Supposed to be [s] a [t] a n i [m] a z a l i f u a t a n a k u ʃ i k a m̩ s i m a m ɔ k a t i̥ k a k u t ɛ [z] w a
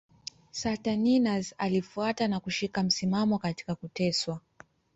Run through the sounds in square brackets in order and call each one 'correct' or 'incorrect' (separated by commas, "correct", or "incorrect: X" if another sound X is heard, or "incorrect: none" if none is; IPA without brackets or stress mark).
correct, correct, incorrect: n, incorrect: s